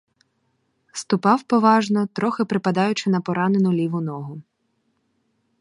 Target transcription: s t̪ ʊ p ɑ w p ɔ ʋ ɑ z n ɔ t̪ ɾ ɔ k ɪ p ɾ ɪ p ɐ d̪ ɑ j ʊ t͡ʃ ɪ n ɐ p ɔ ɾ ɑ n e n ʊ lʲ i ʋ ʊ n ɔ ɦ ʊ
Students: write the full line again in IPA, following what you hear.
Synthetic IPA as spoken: s t̪ ʊ p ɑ w p ɔ ʋ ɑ ʒ n ɔ t̪ ɾ ɔ x ɪ p ɾ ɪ p ɐ d̪ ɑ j ʊ t͡ʃ ɪ n ɐ p ɔ ɾ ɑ n e n ʊ lʲ i ʋ ʊ n ɔ ɦ ʊ